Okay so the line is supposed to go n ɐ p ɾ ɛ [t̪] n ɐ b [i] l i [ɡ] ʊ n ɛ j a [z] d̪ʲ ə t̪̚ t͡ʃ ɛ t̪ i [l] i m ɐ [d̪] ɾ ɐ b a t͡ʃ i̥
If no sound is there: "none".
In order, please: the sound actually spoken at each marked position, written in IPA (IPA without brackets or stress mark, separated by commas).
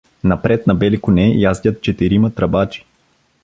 t̪, ɛ, k, z, ɾ, t̪